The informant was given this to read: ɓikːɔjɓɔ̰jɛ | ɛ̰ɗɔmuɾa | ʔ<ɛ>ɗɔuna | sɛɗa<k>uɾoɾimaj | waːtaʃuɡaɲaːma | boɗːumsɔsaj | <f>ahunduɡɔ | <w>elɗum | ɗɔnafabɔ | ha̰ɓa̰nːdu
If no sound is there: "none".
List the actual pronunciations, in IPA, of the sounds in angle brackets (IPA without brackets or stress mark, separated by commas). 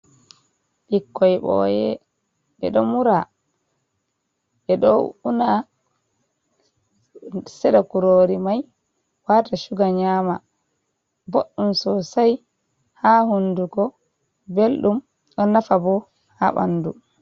ɛ, k, h, b